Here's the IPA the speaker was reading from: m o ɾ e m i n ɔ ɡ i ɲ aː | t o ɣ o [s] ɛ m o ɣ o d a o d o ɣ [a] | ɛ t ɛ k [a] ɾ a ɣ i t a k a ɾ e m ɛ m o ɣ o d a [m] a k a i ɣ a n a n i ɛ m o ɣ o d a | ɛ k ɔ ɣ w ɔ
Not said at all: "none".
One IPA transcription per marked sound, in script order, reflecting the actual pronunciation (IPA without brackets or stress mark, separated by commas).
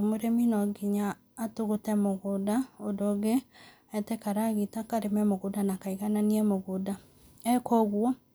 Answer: t, e, a, n